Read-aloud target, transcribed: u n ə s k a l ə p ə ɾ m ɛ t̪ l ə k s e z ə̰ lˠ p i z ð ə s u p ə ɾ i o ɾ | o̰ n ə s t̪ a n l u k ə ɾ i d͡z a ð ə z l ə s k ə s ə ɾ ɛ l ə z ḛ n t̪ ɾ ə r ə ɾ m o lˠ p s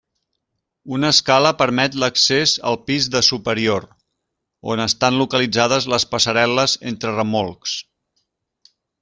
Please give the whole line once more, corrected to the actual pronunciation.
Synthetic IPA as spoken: u n ə s k a l ə p ə ɾ m ɛ t̪ l ə k s e z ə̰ lˠ p i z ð ə s u p ə ɾ i o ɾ | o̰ n ə s t̪ a n l u k ə l i d͡z a ð ə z l ə s p ə s ə ɾ ɛ l ə z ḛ n t̪ ɾ ə r ə m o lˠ k s